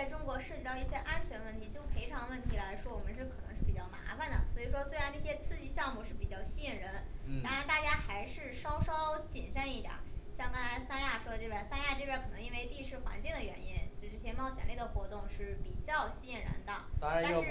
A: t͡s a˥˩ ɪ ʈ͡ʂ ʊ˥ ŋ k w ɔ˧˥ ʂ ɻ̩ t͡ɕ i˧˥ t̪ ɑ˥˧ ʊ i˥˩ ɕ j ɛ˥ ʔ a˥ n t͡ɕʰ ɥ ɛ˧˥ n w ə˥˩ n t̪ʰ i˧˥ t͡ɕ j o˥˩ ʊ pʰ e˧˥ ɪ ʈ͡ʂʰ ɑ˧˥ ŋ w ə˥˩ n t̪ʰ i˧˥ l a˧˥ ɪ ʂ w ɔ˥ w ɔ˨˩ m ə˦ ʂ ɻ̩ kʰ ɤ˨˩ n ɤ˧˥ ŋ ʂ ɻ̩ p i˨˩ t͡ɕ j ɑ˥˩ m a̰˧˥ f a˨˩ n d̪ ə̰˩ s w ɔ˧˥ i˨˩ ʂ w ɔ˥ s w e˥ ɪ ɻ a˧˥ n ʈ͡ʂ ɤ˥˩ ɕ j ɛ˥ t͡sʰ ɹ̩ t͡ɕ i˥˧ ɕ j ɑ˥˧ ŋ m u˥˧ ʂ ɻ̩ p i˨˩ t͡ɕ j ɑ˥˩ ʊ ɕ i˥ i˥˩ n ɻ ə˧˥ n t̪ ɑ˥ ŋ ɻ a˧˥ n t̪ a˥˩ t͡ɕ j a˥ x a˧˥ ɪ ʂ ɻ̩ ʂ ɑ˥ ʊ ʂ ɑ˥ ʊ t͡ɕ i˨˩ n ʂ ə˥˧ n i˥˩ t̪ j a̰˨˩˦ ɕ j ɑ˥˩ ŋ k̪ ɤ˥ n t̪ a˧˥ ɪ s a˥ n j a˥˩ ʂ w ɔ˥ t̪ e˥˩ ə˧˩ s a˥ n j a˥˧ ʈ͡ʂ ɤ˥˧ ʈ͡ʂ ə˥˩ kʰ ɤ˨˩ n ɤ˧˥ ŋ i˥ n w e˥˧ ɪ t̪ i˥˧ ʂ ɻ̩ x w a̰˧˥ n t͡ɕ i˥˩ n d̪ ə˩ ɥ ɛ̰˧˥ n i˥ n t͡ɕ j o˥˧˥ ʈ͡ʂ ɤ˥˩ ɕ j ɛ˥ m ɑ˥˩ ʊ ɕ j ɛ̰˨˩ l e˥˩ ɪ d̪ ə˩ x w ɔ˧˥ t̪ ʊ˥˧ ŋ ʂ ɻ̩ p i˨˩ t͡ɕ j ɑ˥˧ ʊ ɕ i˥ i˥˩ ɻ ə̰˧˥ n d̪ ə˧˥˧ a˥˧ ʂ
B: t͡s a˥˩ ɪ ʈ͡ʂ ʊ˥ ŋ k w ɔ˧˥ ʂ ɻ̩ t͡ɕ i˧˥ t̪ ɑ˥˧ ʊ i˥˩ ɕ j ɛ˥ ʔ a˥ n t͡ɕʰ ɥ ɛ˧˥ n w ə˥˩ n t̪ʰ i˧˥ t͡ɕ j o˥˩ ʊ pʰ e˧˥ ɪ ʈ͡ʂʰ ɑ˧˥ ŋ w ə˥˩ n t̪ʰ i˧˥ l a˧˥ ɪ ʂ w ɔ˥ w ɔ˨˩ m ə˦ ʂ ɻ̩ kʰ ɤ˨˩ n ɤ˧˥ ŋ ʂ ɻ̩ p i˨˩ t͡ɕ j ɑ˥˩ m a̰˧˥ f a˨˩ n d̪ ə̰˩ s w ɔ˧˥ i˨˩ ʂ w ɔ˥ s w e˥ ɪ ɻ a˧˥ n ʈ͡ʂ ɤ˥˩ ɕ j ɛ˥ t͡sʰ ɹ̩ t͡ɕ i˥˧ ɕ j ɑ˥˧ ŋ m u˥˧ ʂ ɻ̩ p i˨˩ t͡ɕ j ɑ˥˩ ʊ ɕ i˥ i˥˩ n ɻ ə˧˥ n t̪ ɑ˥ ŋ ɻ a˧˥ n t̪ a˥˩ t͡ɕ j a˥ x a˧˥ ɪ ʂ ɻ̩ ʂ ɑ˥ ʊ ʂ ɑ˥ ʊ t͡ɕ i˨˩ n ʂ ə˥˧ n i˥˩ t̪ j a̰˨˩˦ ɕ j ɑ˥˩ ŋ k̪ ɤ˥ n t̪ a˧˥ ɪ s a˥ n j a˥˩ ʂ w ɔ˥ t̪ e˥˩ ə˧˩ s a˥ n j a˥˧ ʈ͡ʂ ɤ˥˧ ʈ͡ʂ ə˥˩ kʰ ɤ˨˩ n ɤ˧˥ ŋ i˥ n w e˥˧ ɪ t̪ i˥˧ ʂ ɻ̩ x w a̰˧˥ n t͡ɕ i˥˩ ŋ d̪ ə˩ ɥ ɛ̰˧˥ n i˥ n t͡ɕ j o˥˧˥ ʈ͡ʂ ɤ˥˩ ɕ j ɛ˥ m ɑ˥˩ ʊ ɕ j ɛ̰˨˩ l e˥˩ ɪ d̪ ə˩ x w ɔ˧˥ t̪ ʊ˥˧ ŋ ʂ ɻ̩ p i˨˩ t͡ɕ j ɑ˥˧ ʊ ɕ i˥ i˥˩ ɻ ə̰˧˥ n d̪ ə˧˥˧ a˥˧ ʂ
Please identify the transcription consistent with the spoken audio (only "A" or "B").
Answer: B